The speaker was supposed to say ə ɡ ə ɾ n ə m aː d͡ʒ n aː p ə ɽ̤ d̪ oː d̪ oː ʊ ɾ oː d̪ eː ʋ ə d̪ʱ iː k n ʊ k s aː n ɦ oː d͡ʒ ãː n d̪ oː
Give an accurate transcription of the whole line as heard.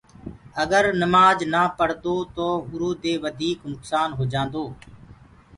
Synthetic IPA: ə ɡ ə ɾ n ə m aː d͡ʒ n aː p ə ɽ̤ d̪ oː t̪ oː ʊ ɾ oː d̪ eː ʋ ə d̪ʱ iː k n ʊ k s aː n ɦ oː d͡ʒ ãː n d̪ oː